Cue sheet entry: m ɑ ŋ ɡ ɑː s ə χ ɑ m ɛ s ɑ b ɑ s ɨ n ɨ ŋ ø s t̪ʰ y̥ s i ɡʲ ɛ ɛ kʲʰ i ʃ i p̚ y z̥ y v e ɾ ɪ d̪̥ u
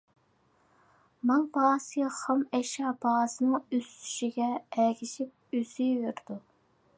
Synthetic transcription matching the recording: m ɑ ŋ b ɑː s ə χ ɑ m ɛ ʃ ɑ b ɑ s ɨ n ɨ ŋ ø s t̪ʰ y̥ ʃ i ɡʲ ɛ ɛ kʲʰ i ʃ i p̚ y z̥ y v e ɾ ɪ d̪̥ u